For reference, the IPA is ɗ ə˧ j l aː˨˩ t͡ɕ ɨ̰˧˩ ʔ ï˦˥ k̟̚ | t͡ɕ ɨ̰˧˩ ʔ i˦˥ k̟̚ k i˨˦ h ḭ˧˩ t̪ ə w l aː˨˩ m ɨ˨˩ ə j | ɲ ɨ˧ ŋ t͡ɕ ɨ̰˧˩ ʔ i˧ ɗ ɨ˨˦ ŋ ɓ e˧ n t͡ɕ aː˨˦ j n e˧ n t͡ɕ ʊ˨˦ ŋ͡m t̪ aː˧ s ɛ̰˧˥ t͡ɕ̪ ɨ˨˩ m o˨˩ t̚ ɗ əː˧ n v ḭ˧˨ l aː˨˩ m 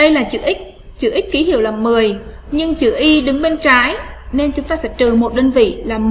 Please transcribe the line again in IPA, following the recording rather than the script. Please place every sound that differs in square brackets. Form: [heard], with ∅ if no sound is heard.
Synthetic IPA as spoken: ɗ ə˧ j l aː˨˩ t͡ɕ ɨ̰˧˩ ʔ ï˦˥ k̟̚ | t͡ɕ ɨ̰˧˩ ʔ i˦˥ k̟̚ k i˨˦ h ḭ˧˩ [∅] ə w l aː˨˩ m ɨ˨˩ ə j | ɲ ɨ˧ ŋ t͡ɕ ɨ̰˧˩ ʔ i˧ ɗ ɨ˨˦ ŋ ɓ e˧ n t͡ɕ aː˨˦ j n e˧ n t͡ɕ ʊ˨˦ ŋ͡m t̪ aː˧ s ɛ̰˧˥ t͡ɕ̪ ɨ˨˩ m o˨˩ t̚ ɗ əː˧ n v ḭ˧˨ l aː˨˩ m